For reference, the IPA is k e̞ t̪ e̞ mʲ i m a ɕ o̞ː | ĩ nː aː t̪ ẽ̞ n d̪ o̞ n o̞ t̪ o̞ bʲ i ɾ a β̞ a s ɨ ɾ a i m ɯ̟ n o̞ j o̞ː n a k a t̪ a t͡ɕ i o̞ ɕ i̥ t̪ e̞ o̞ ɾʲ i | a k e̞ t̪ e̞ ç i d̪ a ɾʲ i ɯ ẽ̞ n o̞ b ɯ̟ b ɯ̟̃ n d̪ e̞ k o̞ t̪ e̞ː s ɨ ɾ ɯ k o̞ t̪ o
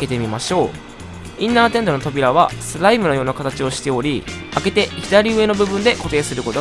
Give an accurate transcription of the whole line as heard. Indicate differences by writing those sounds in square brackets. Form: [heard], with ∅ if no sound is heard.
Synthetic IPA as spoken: k e̞ t̪ e̞ mʲ i m a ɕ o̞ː | ĩ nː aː t̪ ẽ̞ n d̪ o̞ n o̞ t̪ o̞ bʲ i ɾ a β̞ a s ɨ ɾ a i m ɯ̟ n o̞ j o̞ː n a k a t̪ a t͡ɕ i o̞ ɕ i̥ t̪ e̞ o̞ ɾʲ i | a k e̞ t̪ e̞ ç i d̪ a ɾʲ i ɯ [e̞] n o̞ b ɯ̟ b ɯ̟̃ n d̪ e̞ k o̞ t̪ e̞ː s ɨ ɾ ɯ k o̞ t̪ o